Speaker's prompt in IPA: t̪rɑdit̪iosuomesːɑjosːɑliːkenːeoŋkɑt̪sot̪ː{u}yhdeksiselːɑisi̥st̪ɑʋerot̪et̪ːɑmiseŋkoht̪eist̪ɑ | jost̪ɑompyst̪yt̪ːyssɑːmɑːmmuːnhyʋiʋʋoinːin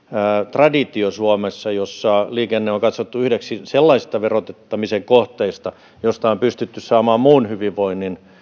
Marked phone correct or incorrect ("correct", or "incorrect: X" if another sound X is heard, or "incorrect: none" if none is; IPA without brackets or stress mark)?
correct